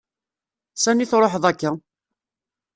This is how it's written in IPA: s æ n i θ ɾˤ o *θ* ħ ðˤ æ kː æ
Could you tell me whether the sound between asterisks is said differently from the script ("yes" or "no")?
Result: yes